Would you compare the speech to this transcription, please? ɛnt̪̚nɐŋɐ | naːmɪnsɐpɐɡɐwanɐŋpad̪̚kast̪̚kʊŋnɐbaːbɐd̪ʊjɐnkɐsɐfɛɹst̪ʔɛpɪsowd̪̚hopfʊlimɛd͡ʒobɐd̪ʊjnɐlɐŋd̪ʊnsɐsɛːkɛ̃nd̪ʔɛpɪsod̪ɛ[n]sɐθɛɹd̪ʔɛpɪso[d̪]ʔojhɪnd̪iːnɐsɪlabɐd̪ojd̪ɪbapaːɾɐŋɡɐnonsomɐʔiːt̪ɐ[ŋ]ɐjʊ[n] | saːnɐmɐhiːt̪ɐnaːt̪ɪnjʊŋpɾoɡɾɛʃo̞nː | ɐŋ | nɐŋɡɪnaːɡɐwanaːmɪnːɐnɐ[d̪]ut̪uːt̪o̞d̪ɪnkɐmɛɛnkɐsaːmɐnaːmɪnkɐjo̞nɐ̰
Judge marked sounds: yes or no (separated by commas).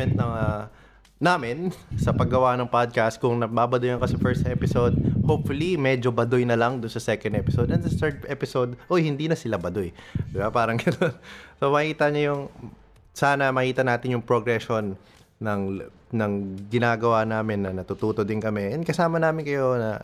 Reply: yes, yes, no, no, no